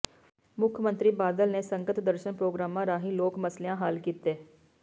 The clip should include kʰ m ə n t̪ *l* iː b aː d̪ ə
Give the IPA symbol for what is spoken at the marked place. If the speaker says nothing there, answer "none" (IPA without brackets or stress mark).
ɾ